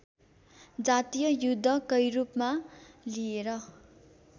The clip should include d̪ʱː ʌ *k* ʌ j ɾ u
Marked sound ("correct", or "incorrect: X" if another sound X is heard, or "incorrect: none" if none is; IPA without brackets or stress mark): correct